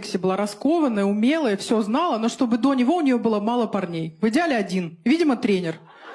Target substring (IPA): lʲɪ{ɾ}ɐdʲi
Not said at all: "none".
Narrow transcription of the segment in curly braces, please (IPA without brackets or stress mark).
none